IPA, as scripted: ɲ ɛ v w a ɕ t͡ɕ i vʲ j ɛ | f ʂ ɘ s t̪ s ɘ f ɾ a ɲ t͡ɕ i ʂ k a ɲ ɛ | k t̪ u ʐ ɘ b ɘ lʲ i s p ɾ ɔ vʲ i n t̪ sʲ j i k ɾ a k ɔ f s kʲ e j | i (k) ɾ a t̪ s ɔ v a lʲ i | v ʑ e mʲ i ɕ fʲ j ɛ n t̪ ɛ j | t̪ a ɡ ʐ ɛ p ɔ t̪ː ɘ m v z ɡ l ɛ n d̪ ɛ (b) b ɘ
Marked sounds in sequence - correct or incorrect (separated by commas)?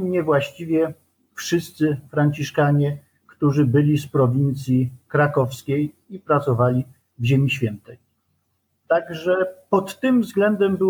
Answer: incorrect, incorrect